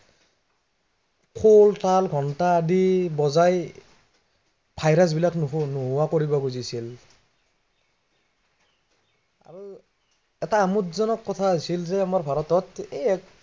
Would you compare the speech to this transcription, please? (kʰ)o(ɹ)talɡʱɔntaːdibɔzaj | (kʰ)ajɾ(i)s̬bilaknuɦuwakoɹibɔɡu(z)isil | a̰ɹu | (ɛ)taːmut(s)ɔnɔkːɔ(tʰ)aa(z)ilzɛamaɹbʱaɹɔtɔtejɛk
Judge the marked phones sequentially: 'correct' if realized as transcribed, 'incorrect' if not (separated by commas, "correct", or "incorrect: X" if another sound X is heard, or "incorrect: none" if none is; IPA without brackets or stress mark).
correct, incorrect: l, incorrect: pʰ, incorrect: a, correct, correct, incorrect: z, correct, incorrect: s